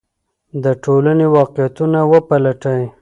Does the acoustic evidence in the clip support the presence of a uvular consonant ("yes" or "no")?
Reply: yes